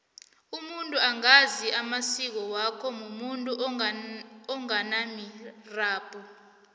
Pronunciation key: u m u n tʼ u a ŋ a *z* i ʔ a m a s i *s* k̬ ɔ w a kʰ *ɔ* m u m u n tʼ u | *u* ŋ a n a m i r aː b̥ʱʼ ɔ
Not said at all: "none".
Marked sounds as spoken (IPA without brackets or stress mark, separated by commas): z, none, ɔ, ɔ